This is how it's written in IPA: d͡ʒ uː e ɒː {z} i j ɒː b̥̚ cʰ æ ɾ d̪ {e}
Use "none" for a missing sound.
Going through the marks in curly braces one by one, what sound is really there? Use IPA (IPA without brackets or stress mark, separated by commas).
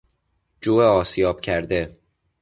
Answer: s, e